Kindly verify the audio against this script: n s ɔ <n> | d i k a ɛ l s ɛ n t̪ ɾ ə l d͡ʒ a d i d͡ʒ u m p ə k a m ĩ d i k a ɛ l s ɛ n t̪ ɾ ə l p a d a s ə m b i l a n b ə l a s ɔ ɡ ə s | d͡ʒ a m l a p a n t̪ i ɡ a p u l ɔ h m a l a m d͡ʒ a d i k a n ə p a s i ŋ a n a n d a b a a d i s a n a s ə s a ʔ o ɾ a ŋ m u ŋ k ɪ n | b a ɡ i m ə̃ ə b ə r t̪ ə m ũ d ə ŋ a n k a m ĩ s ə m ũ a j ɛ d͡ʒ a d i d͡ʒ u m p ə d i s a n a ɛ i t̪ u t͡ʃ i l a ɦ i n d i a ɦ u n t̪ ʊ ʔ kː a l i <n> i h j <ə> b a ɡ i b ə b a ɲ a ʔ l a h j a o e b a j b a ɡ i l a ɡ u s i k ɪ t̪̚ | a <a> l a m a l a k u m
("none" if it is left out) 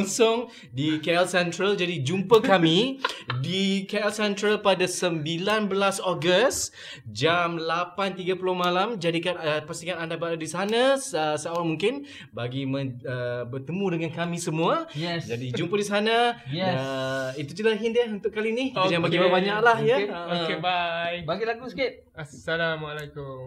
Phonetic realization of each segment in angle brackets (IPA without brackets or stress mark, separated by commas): ŋ, n, a, a